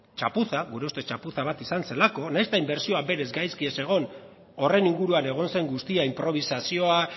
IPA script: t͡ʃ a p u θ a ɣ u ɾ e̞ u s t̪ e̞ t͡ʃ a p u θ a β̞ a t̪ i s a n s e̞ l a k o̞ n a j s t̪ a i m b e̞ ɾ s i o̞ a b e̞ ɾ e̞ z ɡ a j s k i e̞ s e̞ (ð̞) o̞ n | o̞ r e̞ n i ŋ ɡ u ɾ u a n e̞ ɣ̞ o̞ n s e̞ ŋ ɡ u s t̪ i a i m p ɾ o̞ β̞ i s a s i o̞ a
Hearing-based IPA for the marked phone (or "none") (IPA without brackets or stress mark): ɣ̞